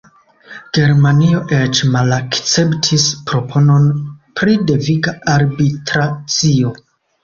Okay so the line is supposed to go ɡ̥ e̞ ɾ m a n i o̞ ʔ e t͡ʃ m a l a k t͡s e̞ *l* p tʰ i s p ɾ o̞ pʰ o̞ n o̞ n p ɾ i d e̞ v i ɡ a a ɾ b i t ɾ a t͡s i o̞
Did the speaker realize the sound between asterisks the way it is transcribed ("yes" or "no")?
no